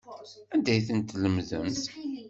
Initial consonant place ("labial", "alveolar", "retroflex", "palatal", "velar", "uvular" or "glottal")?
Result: alveolar